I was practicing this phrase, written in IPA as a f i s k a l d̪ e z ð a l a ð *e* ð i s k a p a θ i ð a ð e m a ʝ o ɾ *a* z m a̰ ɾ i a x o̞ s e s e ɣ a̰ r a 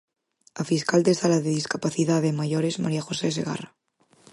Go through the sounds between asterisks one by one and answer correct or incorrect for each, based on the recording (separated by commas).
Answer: correct, incorrect